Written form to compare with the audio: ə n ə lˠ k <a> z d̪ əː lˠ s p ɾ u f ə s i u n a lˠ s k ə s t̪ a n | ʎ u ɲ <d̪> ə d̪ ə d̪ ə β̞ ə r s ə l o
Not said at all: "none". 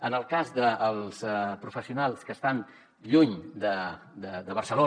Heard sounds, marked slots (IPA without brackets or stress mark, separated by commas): a, d̪